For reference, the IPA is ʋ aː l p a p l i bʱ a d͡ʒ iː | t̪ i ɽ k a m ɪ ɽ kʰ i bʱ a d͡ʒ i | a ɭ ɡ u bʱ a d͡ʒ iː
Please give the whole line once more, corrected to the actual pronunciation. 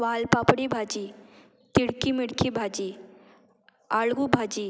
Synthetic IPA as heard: ʋ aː l p a p ɽ i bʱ a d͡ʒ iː | t̪ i ɽ k i m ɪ ɽ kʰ i bʱ a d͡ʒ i | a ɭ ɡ u bʱ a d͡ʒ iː